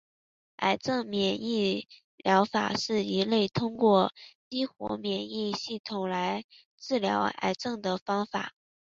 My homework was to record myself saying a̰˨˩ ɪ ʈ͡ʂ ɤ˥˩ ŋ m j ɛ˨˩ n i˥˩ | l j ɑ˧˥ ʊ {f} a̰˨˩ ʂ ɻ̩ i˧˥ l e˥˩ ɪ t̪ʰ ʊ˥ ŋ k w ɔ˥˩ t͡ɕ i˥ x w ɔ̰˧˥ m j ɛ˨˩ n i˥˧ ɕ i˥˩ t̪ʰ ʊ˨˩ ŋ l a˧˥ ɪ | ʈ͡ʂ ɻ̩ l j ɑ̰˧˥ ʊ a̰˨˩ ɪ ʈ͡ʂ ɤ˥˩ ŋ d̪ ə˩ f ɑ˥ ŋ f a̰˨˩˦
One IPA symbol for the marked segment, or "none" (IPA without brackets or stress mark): f